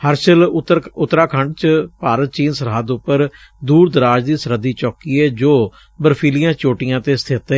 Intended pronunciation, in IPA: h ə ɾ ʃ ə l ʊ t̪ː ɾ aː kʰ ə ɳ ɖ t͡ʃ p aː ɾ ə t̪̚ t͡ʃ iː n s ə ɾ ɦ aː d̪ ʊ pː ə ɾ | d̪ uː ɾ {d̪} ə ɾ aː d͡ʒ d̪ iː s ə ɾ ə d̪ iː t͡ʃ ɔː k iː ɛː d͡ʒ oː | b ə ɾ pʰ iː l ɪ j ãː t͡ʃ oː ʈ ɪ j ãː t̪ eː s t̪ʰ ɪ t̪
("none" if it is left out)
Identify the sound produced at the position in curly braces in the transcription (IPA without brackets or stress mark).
d̪